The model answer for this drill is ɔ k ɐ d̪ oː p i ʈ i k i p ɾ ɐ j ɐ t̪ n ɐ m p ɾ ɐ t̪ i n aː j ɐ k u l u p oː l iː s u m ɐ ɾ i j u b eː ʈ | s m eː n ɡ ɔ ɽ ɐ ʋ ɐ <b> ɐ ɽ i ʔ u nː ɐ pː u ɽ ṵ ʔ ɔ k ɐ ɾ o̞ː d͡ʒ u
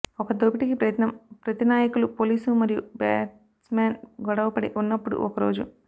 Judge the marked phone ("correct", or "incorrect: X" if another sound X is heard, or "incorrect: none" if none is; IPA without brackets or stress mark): incorrect: p